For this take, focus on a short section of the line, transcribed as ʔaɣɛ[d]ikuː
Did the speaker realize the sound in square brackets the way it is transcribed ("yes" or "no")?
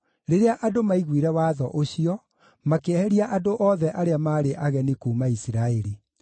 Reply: no